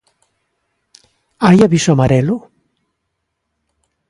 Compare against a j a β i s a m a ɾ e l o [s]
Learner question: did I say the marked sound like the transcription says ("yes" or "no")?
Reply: no